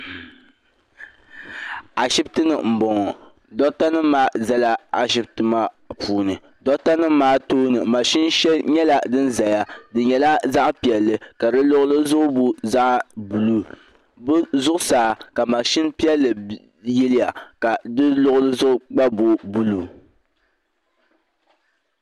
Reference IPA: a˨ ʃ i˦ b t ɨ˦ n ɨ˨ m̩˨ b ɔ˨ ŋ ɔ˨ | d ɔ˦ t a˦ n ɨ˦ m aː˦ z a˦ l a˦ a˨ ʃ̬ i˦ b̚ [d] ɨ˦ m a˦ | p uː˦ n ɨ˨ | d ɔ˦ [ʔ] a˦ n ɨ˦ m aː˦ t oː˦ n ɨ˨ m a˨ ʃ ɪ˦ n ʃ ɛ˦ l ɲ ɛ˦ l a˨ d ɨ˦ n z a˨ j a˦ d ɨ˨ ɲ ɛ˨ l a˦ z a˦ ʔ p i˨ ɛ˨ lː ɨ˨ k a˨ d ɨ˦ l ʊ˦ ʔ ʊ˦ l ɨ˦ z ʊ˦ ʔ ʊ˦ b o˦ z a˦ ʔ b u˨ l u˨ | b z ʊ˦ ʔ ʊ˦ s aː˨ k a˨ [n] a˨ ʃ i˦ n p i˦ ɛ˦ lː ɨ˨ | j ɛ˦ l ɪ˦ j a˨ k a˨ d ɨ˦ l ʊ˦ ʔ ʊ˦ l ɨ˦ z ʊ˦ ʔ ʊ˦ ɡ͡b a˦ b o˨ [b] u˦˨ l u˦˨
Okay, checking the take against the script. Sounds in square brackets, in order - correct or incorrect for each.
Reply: incorrect: t, incorrect: t, incorrect: m, correct

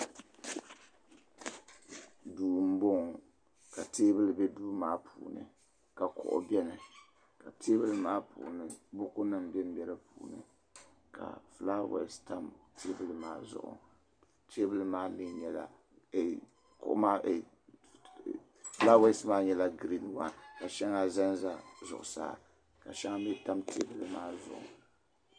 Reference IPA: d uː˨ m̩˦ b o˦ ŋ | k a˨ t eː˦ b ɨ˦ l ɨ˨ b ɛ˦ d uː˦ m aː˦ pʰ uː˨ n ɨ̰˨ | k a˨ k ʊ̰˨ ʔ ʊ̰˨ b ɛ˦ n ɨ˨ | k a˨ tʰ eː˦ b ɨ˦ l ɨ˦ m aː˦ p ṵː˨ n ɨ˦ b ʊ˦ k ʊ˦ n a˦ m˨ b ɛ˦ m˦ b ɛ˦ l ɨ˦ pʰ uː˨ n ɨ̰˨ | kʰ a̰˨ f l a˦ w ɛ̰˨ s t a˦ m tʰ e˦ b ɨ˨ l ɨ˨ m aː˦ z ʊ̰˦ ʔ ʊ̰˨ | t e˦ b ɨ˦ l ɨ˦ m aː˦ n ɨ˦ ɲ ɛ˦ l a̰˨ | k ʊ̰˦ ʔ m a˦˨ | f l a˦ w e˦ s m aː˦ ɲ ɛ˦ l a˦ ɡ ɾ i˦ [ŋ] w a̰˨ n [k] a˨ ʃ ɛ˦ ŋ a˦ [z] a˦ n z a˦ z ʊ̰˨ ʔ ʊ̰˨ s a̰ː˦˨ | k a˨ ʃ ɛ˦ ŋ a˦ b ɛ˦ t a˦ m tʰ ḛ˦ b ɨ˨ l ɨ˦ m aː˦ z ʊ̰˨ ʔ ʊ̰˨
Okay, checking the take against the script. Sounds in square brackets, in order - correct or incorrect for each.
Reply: incorrect: n, correct, correct

